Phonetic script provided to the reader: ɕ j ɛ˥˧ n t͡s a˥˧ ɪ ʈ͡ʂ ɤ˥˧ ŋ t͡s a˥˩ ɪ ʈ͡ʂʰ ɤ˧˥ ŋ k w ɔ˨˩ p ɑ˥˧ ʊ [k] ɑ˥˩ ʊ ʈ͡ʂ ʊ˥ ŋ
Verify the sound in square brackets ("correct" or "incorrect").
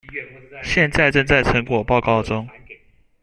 correct